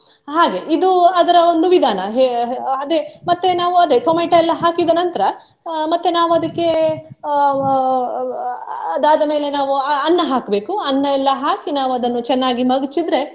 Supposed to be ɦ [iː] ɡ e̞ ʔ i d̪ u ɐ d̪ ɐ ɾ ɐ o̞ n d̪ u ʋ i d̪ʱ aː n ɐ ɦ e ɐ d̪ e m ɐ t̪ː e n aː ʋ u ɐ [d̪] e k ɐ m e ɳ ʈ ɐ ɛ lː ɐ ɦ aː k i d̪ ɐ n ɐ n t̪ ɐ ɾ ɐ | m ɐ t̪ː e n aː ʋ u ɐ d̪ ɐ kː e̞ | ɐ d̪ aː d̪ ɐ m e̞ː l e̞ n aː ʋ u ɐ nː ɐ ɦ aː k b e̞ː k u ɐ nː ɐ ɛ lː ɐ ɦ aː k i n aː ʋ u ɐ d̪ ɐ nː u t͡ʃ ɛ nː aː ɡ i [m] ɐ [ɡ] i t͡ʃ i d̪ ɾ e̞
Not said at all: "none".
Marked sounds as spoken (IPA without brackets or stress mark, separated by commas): aː, d̪, m, ɡ